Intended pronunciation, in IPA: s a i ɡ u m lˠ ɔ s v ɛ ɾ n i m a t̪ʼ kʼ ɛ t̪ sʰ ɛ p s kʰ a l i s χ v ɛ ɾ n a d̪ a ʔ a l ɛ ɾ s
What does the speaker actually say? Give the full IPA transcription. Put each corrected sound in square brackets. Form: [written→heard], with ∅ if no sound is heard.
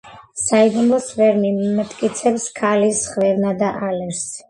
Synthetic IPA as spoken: s a i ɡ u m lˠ ɔ s v ɛ ɾ n i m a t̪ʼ kʼ [ɛ→i] t̪ sʰ ɛ p s kʰ a l i s χ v ɛ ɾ n a d̪ a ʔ a l ɛ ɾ s